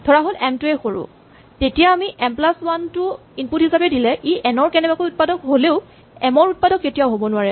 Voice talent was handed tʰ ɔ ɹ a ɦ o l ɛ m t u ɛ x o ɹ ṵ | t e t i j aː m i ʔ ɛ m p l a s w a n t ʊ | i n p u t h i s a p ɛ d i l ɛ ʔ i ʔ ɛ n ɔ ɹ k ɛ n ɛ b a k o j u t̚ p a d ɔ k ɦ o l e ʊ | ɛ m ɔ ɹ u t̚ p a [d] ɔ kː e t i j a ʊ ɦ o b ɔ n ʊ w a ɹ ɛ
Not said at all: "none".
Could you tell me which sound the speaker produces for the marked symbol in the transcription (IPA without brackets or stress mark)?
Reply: d